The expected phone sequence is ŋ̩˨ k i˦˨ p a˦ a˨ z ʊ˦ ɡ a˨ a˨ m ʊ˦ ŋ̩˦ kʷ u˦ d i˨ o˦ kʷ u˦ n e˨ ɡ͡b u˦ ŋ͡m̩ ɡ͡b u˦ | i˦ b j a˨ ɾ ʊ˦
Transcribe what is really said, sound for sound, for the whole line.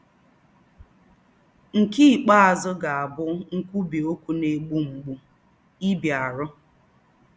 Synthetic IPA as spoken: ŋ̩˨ k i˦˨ k͡p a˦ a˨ z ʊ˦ ɡ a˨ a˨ b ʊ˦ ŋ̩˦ kʷ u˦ b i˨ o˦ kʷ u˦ n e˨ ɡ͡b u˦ ŋ͡m̩ ɡ͡b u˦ | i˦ b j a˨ ɾ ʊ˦